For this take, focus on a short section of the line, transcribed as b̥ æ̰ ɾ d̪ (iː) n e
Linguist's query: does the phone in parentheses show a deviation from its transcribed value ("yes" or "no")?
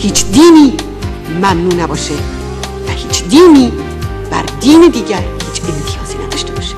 no